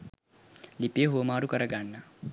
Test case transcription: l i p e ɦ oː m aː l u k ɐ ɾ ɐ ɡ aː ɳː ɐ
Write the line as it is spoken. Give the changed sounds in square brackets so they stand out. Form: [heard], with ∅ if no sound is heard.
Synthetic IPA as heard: l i p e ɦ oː m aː [ɾ] u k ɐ ɾ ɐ ɡ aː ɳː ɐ